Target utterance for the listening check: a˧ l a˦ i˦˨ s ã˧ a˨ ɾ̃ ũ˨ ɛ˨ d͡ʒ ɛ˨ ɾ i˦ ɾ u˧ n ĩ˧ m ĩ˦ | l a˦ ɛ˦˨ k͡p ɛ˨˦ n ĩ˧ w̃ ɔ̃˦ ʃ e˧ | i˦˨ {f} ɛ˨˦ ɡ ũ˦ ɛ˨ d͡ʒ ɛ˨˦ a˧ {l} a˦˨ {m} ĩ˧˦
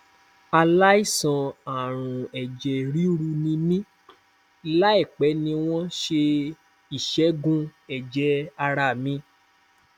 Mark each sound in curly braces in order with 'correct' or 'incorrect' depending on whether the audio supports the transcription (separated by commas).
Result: incorrect, incorrect, correct